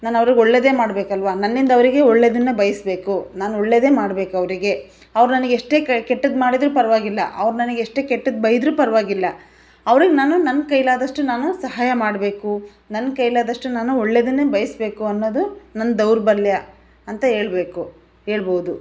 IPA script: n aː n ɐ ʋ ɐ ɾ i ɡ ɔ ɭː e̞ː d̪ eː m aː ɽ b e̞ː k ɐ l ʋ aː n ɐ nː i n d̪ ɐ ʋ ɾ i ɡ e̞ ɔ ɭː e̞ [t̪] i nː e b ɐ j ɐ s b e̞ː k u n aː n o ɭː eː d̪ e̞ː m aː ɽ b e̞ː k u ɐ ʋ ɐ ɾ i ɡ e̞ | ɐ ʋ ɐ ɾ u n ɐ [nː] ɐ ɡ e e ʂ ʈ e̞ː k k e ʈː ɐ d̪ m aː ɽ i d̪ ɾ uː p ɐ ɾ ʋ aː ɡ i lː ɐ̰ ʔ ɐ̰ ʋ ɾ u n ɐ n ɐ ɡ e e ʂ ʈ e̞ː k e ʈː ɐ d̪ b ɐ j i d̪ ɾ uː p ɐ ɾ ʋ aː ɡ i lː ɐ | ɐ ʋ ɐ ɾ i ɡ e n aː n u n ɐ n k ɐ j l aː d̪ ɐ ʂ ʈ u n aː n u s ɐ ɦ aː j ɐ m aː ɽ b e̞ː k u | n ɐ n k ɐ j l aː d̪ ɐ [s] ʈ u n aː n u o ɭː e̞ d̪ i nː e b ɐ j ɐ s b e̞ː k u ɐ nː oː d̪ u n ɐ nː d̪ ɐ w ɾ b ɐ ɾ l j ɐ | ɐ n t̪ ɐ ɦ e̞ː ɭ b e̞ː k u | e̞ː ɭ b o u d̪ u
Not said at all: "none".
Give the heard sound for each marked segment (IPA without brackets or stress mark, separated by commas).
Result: d̪, n, ʂ